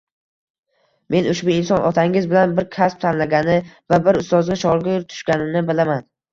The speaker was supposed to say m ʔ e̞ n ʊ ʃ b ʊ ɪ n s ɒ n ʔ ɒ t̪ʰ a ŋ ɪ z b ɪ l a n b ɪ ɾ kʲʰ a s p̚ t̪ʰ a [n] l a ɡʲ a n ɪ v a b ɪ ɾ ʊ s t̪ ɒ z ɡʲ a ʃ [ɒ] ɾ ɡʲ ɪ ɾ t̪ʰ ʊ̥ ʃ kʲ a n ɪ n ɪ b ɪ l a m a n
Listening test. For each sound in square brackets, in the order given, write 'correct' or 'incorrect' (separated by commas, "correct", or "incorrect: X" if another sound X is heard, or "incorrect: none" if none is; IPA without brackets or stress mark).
correct, correct